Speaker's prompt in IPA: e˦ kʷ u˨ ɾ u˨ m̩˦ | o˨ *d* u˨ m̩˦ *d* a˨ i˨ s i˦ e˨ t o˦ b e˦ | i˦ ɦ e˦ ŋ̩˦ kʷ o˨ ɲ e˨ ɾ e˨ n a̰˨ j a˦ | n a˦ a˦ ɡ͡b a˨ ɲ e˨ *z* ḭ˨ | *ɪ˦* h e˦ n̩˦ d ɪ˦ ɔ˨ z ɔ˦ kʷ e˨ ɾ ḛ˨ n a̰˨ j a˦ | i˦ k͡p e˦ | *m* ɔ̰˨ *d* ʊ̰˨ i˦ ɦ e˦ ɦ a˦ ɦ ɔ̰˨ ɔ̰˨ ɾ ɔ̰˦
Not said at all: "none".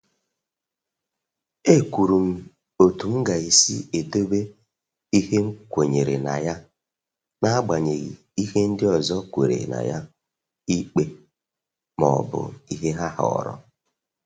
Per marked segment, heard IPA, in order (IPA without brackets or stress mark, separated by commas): t, ɡ, ɣ, i˦, m, b